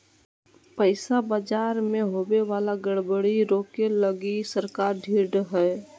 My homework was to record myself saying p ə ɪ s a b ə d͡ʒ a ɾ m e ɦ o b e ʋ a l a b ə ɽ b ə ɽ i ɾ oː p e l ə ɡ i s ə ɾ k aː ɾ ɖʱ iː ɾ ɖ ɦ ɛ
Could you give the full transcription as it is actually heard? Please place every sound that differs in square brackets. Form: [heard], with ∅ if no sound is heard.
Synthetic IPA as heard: p ə ɪ s a b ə d͡ʒ a ɾ m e ɦ o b e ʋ a l a [ɡ] ə ɽ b ə ɽ i ɾ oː [k] e l ə ɡ i s ə ɾ k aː ɾ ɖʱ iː ɾ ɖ ɦ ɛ